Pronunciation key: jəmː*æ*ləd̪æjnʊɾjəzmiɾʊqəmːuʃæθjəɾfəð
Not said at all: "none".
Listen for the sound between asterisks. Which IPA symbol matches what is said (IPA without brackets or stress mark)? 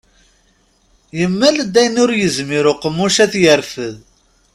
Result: æ